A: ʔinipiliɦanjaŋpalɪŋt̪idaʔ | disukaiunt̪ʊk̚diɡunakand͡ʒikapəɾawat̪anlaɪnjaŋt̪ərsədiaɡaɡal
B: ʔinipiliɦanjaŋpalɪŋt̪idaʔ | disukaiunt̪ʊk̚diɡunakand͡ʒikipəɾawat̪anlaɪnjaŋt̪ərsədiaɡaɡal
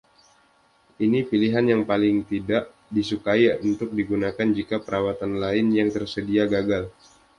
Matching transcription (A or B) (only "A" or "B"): A